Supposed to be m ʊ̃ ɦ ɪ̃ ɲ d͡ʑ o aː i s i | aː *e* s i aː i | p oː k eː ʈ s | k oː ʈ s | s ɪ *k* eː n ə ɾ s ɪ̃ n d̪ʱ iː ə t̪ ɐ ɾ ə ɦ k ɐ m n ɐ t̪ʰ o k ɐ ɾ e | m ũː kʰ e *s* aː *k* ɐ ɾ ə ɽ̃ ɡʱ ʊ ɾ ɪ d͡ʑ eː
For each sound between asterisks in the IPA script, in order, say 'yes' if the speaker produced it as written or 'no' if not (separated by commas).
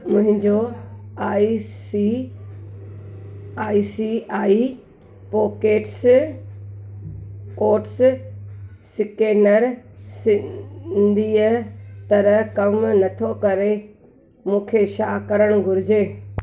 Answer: no, yes, no, yes